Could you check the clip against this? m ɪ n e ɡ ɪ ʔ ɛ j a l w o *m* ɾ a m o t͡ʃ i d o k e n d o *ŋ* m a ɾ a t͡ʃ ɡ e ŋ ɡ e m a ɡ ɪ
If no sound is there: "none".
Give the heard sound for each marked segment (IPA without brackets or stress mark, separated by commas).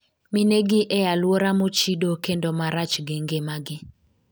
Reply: none, none